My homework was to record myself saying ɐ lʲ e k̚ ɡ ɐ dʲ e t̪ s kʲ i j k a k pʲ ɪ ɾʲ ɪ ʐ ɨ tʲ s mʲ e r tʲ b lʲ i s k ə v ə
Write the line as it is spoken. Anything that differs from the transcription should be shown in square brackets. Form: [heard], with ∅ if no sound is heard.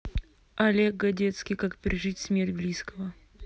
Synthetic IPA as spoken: ɐ lʲ e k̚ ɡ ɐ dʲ e t̪ s kʲ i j k a k pʲ ɪ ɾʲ ɪ ʐ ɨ tʲ s mʲ e r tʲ b lʲ i s k ə v ə